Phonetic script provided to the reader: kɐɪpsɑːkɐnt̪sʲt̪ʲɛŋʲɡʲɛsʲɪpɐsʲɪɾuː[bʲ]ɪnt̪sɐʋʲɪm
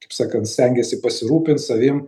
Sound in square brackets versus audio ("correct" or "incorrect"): incorrect